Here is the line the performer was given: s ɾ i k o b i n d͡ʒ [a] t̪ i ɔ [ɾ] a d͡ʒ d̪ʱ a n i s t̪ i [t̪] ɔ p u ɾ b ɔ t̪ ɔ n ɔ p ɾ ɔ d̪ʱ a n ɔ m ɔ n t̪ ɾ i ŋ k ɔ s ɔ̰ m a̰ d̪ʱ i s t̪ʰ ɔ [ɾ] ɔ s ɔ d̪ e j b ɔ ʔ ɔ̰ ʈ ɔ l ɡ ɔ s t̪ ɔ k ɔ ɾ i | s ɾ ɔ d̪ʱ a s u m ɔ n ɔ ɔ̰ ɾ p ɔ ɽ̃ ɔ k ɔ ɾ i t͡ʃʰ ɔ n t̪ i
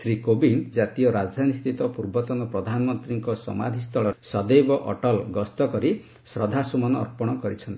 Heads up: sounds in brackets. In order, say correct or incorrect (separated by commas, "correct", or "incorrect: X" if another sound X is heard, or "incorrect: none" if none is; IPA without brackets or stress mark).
correct, correct, correct, incorrect: ɭ